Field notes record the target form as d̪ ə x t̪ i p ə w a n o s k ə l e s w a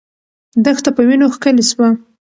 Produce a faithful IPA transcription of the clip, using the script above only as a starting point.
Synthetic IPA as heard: d̪ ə x t̪ a p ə w i n o x k ə l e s w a